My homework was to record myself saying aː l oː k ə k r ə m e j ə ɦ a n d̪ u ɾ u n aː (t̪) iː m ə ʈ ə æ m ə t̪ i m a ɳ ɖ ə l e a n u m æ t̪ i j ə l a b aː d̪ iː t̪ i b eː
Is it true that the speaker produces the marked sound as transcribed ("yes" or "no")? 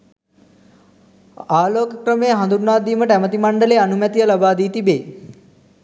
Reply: no